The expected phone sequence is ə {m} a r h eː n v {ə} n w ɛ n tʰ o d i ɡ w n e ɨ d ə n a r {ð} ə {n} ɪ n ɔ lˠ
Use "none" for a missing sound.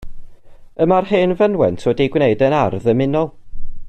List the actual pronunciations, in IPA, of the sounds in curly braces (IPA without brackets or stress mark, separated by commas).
m, ə, ð, m